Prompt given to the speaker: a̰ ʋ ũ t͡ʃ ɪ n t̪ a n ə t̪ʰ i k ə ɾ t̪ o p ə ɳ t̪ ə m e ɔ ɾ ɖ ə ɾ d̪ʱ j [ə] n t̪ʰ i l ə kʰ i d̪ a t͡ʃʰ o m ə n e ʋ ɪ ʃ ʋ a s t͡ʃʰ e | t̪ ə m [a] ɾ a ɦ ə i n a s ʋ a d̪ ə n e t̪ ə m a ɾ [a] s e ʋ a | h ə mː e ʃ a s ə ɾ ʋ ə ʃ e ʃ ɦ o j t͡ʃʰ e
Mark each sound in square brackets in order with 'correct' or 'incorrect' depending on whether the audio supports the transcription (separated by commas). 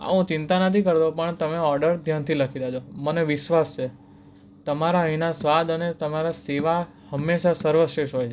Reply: incorrect, correct, correct